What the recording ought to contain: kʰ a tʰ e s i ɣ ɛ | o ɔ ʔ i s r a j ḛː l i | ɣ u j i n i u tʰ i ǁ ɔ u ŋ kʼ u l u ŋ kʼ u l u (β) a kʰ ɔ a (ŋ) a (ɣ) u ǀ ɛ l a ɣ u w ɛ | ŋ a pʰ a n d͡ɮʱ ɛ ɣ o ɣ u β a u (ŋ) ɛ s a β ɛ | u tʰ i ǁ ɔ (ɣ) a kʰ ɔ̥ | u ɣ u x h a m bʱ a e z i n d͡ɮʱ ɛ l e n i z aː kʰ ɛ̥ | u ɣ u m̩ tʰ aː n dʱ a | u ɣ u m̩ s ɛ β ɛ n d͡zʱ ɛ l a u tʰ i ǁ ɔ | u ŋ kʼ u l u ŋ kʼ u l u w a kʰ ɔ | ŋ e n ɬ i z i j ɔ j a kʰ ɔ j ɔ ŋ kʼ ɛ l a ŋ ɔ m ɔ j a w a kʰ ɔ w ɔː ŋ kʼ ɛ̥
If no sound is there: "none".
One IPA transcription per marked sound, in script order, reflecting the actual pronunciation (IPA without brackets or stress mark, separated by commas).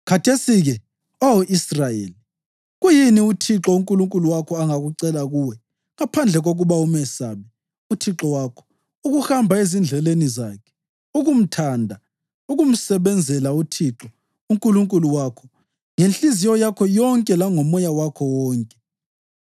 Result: w, ŋ, ɣ, m, w